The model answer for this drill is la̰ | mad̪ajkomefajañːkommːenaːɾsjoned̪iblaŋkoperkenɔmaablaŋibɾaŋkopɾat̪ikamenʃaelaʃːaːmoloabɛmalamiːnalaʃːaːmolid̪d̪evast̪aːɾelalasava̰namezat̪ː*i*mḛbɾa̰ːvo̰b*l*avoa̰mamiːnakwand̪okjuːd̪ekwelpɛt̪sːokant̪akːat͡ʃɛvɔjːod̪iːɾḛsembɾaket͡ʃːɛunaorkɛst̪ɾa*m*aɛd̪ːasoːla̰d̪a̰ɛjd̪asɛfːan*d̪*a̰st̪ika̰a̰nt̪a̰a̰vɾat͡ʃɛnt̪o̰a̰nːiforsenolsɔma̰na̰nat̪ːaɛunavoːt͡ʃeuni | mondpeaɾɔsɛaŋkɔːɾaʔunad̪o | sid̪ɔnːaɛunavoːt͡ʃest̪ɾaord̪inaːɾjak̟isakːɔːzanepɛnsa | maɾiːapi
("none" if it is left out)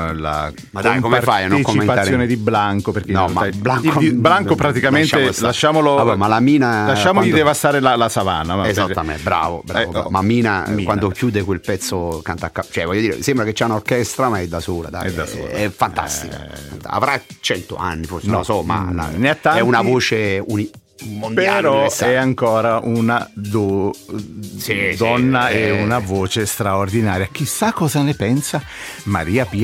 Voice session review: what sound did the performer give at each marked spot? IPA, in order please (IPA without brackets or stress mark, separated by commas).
a, ɾ, m, t̪